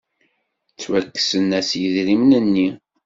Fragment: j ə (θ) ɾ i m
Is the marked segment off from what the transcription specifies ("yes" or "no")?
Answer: yes